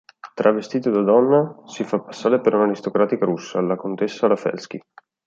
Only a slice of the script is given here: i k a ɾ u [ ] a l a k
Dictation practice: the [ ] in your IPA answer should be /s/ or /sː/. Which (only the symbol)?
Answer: sː